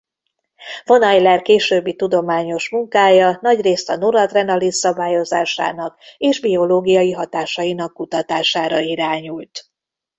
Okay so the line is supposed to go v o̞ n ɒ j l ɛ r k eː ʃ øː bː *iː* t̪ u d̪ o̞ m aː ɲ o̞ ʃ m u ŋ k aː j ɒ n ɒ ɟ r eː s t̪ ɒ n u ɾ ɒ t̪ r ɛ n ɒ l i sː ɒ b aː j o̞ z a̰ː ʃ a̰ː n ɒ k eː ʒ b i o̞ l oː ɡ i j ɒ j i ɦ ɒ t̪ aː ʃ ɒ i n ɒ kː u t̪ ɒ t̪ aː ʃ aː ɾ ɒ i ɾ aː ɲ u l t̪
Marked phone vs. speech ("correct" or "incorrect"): incorrect